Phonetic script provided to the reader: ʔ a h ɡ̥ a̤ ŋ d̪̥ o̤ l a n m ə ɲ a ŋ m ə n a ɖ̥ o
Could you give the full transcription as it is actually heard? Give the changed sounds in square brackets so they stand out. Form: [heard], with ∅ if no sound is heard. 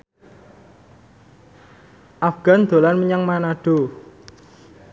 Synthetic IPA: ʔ a [f] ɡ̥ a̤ [n] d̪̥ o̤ l a n m ə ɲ a ŋ m [a] n a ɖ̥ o

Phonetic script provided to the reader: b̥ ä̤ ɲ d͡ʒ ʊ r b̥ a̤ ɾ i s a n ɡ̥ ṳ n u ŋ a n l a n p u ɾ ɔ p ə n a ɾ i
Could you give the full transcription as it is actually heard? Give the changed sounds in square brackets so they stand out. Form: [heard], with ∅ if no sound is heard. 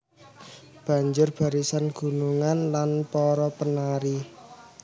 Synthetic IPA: b̥ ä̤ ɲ d͡ʒ ʊ r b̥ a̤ ɾ i s a n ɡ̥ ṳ n u ŋ a n l a n p [ɔ] ɾ ɔ p ə n a ɾ i

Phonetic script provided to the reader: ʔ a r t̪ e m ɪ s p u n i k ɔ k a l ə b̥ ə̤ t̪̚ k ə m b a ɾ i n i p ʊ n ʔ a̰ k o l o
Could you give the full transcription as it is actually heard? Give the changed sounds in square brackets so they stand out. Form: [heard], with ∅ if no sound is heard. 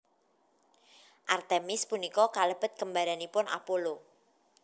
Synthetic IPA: ʔ a r t̪ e m ɪ s p u n i k ɔ k a l ə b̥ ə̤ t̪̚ k ə m b a ɾ [a] n i p ʊ n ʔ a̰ [p] o l o

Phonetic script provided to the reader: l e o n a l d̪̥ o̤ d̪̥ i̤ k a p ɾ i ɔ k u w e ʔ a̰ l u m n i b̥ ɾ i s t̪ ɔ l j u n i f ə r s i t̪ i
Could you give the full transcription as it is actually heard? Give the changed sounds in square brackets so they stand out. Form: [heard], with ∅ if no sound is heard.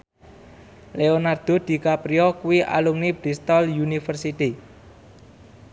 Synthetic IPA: l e o n a [r] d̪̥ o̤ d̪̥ i̤ k a p ɾ i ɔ k u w [i] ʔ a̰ l u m n i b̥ ɾ i s t̪ ɔ l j u n i f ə r s i t̪ i

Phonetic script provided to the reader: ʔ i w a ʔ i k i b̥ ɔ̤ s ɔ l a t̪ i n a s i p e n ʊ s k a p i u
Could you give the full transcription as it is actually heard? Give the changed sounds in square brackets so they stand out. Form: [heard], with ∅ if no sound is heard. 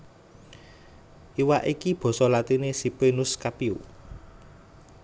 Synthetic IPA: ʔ i w a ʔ i k i b̥ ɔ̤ s ɔ l a t̪ i n [e] s i p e n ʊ s k a p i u

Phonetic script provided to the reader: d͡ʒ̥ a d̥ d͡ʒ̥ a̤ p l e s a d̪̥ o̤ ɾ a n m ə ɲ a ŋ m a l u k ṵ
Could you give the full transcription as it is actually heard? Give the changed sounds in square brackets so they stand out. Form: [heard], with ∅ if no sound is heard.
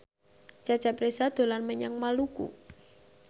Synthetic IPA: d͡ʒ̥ a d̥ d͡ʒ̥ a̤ p [ɾ] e s a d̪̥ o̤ [l] a n m ə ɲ a ŋ m a l u k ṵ

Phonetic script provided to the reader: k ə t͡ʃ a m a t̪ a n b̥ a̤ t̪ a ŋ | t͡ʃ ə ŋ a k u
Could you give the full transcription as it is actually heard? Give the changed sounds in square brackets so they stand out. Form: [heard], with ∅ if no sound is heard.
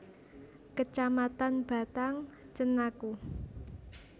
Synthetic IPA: k ə t͡ʃ a m a t̪ a n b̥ a̤ t̪ a ŋ | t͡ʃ ə [n] a k u

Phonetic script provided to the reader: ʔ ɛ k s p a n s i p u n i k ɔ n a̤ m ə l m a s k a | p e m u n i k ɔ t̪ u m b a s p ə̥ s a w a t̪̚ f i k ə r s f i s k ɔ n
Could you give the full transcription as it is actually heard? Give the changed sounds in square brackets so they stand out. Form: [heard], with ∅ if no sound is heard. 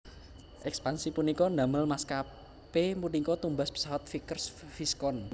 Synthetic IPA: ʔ ɛ k s p a n s i p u n i k ɔ n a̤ m ə l m a s k a | p e m u n i k ɔ t̪ u m b a s p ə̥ s a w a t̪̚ f i k ə r s f i s k ɔ n

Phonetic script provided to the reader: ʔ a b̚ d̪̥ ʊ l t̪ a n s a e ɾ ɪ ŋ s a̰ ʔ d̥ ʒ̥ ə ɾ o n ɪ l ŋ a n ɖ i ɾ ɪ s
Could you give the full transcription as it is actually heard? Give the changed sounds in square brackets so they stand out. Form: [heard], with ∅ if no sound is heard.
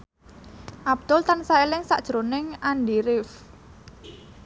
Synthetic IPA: ʔ a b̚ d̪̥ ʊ l t̪ a n s a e [l] ɪ ŋ s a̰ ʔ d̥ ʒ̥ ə ɾ o n ɪ [∅] ŋ a n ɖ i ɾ ɪ [f]

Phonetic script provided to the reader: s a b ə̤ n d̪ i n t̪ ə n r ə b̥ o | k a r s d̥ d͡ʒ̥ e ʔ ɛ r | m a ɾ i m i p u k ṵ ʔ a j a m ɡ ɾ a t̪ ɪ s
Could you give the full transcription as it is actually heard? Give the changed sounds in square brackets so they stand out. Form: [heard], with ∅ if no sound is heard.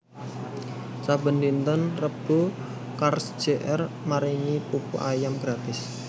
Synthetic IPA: s a b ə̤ n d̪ i n t̪ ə n r ə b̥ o | k a r s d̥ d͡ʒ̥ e ʔ ɛ r | m a ɾ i [ŋ] i p u [p] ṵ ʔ a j a m ɡ ɾ a t̪ ɪ s

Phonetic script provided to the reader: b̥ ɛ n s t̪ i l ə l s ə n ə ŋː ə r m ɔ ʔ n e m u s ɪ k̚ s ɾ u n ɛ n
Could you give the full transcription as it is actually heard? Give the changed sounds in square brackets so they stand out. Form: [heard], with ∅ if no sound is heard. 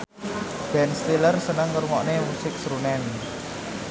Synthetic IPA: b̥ ɛ n s t̪ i l ə [r] s ə n ə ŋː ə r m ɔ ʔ n e m u s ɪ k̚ s ɾ u n ɛ n

